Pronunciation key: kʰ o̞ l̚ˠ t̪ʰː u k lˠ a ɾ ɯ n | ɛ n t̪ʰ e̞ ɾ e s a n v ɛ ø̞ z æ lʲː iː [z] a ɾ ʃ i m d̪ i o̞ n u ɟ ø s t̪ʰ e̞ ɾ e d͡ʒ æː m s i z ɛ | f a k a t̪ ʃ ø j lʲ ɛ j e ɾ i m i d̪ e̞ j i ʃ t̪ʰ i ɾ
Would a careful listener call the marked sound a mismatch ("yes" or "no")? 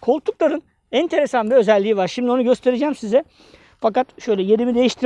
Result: yes